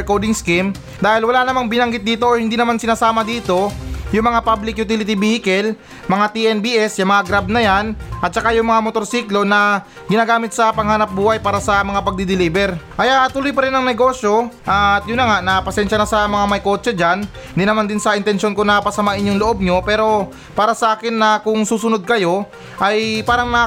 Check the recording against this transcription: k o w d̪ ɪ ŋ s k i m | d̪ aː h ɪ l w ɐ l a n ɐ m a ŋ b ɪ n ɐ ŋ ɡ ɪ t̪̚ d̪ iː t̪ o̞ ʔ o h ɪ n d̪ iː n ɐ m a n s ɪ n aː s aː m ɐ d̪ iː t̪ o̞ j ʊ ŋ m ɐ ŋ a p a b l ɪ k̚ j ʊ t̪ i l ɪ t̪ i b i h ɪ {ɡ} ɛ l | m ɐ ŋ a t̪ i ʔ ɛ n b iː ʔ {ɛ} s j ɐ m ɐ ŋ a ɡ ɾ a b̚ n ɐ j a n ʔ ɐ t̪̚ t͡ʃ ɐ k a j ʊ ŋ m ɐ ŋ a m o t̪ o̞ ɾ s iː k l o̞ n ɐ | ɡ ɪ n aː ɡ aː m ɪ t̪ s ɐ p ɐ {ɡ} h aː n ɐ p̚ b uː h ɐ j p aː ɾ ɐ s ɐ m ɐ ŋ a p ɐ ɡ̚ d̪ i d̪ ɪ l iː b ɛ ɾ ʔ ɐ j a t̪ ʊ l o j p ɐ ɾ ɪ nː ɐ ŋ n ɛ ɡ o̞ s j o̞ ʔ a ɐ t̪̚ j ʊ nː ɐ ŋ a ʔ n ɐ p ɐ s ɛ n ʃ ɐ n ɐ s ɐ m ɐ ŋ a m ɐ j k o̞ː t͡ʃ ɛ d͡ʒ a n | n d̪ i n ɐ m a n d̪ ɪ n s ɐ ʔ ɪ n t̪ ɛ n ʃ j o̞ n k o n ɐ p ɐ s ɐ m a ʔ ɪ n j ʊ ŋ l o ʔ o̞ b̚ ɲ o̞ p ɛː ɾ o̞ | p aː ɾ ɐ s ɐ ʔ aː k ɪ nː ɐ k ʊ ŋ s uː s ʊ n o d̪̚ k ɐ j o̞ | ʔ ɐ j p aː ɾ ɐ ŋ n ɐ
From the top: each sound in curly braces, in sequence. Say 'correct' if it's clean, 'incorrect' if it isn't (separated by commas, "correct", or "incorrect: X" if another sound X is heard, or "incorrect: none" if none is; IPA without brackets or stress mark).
incorrect: k, correct, incorrect: ŋ